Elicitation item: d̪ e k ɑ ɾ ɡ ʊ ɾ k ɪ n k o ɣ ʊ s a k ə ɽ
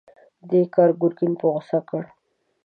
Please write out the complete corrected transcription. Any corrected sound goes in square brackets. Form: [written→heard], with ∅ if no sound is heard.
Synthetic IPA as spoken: d̪ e k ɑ ɾ ɡ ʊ ɾ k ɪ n [k→p] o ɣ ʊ s a k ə ɽ